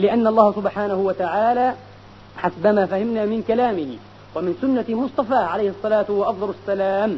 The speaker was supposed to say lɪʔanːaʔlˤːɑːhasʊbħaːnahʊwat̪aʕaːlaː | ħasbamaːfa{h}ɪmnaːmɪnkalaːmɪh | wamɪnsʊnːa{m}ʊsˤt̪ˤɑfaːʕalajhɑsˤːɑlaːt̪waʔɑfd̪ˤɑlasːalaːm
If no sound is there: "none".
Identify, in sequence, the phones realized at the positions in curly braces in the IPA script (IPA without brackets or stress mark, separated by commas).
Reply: h, m